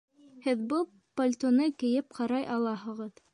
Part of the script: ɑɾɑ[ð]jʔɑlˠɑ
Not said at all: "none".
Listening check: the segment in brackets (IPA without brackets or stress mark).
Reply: none